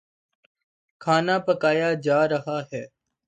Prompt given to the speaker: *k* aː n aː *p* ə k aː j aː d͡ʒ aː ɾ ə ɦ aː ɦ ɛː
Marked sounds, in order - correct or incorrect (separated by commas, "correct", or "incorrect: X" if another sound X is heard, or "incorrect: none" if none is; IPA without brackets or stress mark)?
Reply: incorrect: kʰ, correct